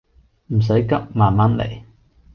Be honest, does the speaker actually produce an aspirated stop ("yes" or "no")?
no